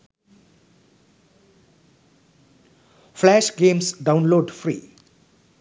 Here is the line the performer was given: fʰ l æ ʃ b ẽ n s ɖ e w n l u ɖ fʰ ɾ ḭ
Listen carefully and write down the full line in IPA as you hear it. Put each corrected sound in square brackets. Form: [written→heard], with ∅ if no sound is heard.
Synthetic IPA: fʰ l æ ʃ [b→ɡ] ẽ [n→m] s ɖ [e→a] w n l [u→o] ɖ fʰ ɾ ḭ